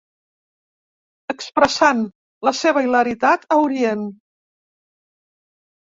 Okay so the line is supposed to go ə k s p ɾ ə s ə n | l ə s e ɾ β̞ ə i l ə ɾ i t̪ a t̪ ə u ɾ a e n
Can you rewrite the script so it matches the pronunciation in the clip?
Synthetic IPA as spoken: ə k s p ɾ ə s a n | l ə s e β̞ ə i l ə ɾ i t̪ a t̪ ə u ɾ i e n

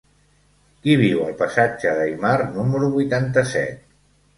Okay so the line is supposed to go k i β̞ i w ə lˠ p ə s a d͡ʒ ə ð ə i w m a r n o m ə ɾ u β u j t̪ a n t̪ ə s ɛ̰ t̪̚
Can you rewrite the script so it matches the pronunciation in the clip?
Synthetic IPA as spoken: k i β̞ i w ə lˠ p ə s a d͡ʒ ə ð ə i m a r n u m ə ɾ u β u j t̪ a n t̪ ə s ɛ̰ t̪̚

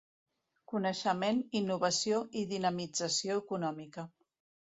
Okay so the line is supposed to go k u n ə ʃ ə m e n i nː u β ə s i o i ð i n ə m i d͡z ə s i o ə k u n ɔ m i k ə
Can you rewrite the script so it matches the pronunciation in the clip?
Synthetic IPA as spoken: k u n ə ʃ ə m e n i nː u β ə s i o i ð i n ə m i d͡z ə s i o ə k u n ɔ m i k ə

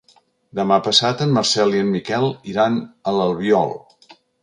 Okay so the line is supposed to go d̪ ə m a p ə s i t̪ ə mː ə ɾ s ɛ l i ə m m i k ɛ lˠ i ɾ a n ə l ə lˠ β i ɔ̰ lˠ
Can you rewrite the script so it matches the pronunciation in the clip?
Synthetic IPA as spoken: d̪ ə m a p ə s a t̪ ə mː ə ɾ s ɛ l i ə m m i k ɛ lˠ i ɾ a n ə l ə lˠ β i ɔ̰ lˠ

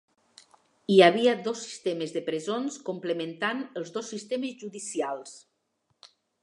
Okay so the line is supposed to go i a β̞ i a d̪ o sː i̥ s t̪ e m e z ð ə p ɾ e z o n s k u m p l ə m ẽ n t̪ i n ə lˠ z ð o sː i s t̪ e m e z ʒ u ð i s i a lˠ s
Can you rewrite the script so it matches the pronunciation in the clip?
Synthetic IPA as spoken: i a β̞ i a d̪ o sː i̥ s t̪ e m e z ð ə p ɾ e z o n s k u m p l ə m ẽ n t̪ a n ə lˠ z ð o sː i s t̪ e m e z ʒ u ð i s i a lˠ s

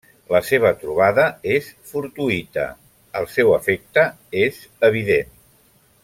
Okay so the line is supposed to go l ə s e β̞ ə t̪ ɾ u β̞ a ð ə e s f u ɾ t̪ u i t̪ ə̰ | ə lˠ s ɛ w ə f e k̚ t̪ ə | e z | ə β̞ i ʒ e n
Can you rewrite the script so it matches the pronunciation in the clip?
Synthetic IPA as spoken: l ə s e β̞ ə t̪ ɾ u β̞ a ð ə e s f u ɾ t̪ u i t̪ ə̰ | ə lˠ s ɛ w ə f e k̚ t̪ ə | e z | ə β̞ i ð e n

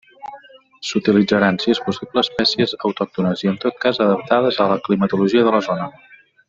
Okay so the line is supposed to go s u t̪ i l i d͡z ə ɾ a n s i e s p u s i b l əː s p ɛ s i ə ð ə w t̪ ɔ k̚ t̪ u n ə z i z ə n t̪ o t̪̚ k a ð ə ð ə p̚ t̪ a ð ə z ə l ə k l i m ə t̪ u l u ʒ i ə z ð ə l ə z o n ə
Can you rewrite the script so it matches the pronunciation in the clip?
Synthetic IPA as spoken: s u t̪ i l i d͡z ə ɾ a n s i e s p u s i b l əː s p ɛ s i ə z ə w t̪ ɔ k̚ t̪ u n ə z i ə n t̪ o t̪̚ k a z ə ð ə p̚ t̪ a ð ə z ə l ə k l i m ə t̪ u l u ʒ i ə ð ə l ə z o n ə

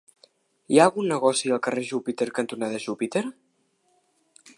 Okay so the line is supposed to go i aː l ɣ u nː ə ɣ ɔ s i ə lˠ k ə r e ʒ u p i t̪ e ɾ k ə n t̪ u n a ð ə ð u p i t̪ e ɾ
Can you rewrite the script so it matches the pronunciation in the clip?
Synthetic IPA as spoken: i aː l ɣ u nː ə ɣ ɔ s i ə lˠ k ə r e ʒ u p i t̪ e ɾ k ə n t̪ u n a ð ə ʒ u p i t̪ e ɾ

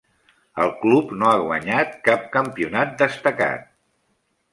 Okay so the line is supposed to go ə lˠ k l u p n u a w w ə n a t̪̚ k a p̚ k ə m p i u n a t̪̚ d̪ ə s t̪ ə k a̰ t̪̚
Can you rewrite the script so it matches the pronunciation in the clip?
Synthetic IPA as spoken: ə lˠ k l u p n o a ɣ w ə ɲ a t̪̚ k a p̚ k ə m p i u n a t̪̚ d̪ ə s t̪ ə k a̰ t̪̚

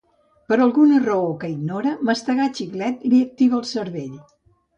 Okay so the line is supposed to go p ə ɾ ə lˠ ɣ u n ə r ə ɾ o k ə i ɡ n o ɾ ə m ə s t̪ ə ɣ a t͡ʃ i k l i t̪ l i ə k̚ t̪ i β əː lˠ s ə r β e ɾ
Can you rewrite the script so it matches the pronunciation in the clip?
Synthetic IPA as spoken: p ə ɾ ə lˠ ɣ u n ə r ə o k ə i ɡ n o ɾ ə m ə s t̪ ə ɣ a t͡ʃ i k l ɛ t̪ l i ə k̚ t̪ i β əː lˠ s ə ɾ β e ʎ

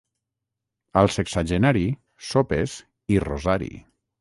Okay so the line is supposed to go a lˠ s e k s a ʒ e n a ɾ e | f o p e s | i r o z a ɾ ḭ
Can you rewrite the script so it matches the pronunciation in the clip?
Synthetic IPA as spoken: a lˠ s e k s a ʒ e n a ɾ i | s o p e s | i r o z a ɾ ḭ

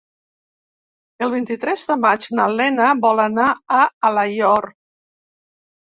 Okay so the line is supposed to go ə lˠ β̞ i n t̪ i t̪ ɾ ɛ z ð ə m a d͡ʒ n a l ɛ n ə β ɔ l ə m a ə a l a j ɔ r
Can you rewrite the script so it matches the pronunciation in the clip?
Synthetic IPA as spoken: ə lˠ β̞ i n t̪ i t̪ ɾ ɛ z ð ə m a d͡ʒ n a l ɛ n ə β ɔ l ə n a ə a l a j ɔ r

